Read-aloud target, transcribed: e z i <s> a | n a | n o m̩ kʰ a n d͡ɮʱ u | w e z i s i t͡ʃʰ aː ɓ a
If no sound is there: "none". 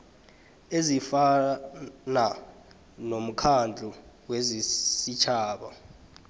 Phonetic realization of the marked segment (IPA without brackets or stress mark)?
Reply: f